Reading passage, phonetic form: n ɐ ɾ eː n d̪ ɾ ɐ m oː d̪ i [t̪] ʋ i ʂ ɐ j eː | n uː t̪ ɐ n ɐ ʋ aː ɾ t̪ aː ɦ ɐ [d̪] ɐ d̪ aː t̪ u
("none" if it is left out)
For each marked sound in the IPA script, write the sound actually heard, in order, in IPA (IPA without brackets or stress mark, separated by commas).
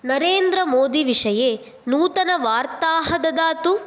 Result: none, d̪